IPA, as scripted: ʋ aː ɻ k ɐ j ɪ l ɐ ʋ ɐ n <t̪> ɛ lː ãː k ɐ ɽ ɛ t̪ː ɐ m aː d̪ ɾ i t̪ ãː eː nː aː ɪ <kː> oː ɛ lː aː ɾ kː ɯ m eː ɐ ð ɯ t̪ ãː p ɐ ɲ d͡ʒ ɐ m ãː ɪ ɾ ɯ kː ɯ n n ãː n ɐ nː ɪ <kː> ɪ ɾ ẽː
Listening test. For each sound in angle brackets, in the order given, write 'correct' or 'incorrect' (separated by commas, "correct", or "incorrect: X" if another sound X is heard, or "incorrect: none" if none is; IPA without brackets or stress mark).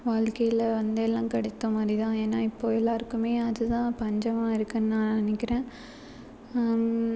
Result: incorrect: d̪, incorrect: pː, correct